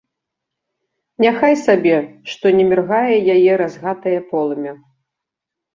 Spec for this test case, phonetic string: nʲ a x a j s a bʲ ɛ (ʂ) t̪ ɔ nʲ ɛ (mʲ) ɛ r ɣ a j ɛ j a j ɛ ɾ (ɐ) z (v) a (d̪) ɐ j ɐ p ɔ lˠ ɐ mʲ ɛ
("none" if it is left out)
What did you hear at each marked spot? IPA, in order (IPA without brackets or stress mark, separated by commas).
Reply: ʂ, mʲ, a, ɣ, t̪